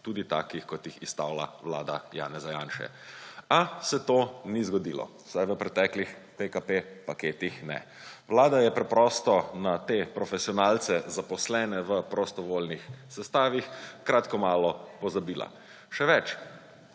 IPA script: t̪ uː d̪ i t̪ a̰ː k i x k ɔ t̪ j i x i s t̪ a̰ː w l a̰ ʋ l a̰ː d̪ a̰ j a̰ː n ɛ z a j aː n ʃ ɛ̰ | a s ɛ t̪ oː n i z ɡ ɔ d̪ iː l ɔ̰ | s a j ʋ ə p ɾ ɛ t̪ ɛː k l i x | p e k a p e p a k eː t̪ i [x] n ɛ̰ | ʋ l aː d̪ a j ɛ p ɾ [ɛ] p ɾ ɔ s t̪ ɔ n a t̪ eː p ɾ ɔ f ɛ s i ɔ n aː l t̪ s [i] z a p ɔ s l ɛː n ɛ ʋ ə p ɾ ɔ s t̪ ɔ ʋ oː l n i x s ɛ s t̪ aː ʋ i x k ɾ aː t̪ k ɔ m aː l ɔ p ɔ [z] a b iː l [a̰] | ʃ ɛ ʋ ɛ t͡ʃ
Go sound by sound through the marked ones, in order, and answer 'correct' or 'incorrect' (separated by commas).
correct, correct, incorrect, correct, correct